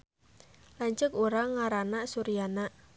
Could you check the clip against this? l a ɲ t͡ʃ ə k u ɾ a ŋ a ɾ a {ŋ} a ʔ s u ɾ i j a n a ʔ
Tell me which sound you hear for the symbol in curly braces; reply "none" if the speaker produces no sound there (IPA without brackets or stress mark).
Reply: n